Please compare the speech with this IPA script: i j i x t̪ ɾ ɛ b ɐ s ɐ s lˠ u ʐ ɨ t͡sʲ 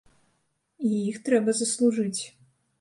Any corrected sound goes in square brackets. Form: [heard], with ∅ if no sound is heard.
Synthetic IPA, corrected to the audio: i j i x t̪ ɾ ɛ b ɐ [z] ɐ s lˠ u ʐ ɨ t͡sʲ

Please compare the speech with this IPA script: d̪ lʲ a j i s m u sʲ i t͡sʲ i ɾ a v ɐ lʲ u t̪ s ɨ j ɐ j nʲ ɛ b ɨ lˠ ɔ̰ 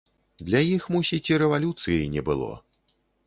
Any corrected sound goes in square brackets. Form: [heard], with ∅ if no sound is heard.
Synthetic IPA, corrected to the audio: d̪ lʲ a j i [x] m u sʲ i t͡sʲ i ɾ [ɛ] v [a] lʲ u t̪ s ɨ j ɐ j nʲ ɛ b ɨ lˠ ɔ̰

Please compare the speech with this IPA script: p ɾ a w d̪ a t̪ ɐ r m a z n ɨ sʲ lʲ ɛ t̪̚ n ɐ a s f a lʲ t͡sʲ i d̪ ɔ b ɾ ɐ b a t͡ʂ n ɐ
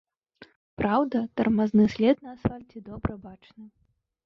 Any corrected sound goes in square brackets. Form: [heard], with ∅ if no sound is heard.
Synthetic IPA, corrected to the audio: p ɾ a w d̪ [ɐ] t̪ ɐ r m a z n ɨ sʲ lʲ ɛ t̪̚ n ɐ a s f a lʲ t͡sʲ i d̪ ɔ b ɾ ɐ b a t͡ʂ n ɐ

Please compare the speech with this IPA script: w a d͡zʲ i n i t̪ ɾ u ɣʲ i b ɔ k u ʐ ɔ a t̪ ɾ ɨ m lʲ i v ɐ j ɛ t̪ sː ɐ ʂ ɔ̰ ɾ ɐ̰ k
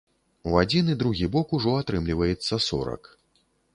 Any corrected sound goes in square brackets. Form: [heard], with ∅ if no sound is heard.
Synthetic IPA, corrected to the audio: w a d͡zʲ i n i [d̪] ɾ u ɣʲ i b ɔ k u ʐ ɔ a t̪ ɾ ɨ m lʲ i v ɐ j ɛ t̪ sː ɐ [s] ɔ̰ ɾ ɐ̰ k

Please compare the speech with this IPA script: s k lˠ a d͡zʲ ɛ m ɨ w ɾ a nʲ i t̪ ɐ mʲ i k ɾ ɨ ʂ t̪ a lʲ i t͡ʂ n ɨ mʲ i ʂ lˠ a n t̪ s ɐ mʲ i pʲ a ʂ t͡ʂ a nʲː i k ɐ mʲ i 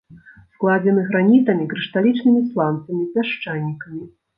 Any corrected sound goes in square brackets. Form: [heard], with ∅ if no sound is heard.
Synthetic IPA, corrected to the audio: s k lˠ a d͡zʲ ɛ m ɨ [ɣ] ɾ a nʲ i t̪ ɐ mʲ i k ɾ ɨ ʂ t̪ a lʲ i t͡ʂ n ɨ mʲ i [s] lˠ a n t̪ s ɐ mʲ i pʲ a ʂ t͡ʂ a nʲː i k ɐ mʲ i

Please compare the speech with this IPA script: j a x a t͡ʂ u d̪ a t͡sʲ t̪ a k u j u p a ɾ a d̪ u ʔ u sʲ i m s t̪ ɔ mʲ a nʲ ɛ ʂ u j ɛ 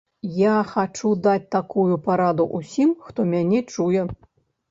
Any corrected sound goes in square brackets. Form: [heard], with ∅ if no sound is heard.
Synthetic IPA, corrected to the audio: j a x a t͡ʂ u d̪ a t͡sʲ t̪ a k u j u p a ɾ a d̪ u ʔ u sʲ i m [x] t̪ ɔ mʲ a nʲ ɛ [t͡ʂ] u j ɛ

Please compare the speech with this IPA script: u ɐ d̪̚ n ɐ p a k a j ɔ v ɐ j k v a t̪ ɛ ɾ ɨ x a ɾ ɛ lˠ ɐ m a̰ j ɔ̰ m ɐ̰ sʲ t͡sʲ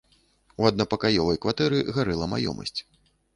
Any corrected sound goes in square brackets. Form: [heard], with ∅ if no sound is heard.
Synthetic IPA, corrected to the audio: u ɐ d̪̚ n ɐ p [ɐ] k a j ɔ v ɐ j k v a t̪ ɛ ɾ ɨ [ɣ] a ɾ ɛ lˠ ɐ m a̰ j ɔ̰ m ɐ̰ sʲ t͡sʲ

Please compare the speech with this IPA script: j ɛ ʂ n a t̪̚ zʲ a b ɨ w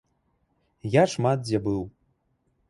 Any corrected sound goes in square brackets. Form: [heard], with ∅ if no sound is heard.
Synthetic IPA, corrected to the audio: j [a] ʂ [m] a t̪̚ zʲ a b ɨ w

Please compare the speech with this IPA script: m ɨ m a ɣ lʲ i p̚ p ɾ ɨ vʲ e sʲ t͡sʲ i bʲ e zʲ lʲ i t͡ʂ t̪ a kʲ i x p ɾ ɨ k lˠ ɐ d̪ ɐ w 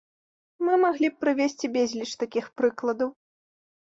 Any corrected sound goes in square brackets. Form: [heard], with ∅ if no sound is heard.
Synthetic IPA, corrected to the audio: m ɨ m a ɣ lʲ i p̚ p ɾ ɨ vʲ e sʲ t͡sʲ i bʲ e zʲ lʲ i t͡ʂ t̪ a kʲ i x p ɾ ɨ k lˠ ɐ d̪ ɐ w

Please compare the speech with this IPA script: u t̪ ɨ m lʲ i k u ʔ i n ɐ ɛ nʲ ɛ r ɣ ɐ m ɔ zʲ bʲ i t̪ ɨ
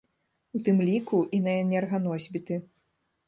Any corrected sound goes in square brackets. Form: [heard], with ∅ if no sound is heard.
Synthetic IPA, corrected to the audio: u t̪ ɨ m lʲ i k u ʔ i n ɐ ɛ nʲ ɛ r ɣ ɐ [n] ɔ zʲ bʲ i t̪ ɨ

